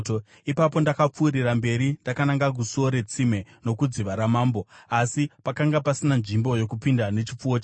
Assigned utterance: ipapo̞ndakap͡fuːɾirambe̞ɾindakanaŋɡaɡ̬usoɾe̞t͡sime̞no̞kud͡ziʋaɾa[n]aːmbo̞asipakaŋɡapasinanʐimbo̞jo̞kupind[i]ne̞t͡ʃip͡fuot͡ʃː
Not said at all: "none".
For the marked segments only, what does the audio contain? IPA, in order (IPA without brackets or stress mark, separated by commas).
m, a